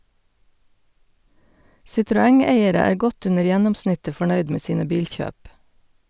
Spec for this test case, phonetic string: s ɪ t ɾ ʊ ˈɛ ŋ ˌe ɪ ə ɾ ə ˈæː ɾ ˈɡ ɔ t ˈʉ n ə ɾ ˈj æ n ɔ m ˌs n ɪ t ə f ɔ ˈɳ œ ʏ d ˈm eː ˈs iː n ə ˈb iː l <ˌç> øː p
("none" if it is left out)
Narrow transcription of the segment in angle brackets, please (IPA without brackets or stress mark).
ç